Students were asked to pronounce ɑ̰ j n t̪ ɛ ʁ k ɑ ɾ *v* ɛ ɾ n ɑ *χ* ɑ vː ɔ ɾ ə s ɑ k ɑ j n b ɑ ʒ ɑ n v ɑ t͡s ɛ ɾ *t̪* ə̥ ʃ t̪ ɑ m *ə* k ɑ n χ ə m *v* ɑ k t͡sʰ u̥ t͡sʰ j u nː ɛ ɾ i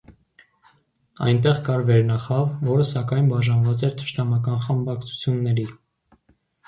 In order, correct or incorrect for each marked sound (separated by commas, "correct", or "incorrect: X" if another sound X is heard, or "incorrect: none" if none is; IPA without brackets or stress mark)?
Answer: correct, correct, incorrect: t̪ʰ, incorrect: ɑ, incorrect: b